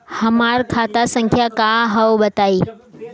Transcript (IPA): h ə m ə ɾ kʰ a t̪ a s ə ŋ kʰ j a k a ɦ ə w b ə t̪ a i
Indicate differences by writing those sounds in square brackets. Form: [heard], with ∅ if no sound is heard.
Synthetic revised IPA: h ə m [a] ɾ kʰ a t̪ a s ə ŋ kʰ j a k a ɦ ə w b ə t̪ a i